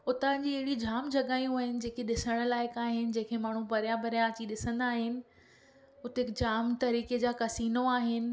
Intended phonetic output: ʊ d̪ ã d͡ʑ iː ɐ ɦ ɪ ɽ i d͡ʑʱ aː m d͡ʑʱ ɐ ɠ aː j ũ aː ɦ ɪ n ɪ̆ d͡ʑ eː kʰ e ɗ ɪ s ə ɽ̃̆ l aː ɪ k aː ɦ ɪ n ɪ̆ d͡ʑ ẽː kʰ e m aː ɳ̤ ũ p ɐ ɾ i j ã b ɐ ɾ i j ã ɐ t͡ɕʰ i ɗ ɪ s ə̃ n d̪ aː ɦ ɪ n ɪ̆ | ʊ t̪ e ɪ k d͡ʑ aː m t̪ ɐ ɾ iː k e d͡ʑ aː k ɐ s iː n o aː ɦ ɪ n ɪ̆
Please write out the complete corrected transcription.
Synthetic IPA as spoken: ʊ t̪ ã d͡ʑ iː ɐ ɦ ɪ ɽ i d͡ʑʱ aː m d͡ʑʱ ɐ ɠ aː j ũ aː ɦ ɪ n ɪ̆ d͡ʑ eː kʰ e ɗ ɪ s ə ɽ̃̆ l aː ɪ k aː ɦ ɪ n ɪ̆ d͡ʑ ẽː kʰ e m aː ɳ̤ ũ p ɐ ɾ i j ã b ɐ ɾ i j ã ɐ t͡ɕ i ɗ ɪ s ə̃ n d̪ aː ɦ ɪ n ɪ̆ | ʊ t̪ e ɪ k d͡ʑ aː m t̪ ɐ ɾ iː k e d͡ʑ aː k ɐ s iː n o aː ɦ ɪ n ɪ̆